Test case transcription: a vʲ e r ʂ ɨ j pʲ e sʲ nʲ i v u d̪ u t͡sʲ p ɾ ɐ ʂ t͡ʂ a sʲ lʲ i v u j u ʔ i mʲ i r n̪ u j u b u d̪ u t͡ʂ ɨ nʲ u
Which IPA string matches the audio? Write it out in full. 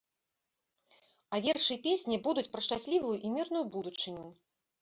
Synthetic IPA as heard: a vʲ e r ʂ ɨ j pʲ e sʲ nʲ i b u d̪ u t͡sʲ p ɾ ɐ ʂ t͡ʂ a sʲ lʲ i v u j u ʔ i mʲ i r n̪ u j u b u d̪ u t͡ʂ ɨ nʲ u